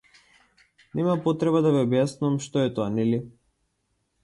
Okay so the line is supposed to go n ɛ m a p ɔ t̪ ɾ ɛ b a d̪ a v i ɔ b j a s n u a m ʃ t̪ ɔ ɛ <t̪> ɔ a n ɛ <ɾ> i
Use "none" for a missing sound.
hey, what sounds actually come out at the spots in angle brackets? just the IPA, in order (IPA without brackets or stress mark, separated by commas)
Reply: t̪, l